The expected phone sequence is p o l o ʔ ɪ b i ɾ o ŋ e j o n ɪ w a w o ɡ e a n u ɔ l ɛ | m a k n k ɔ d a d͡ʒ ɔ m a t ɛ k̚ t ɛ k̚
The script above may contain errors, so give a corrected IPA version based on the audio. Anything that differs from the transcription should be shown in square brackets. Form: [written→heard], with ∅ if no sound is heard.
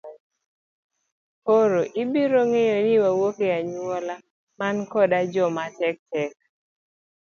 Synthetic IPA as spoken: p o [l→ɾ] o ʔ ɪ b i ɾ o ŋ e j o n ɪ w a w o [ɡ→k] e a [n→ɲ] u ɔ l [ɛ→a] | m a [k→∅] n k ɔ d a d͡ʒ ɔ m a t ɛ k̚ t ɛ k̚